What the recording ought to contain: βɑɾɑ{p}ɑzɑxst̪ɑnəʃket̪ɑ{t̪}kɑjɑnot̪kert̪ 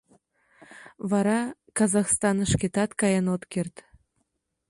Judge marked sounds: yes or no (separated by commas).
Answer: no, yes